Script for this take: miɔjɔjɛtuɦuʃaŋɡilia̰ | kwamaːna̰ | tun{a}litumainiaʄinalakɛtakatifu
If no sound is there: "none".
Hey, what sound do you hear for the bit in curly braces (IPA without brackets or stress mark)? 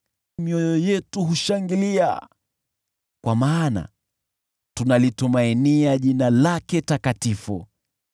a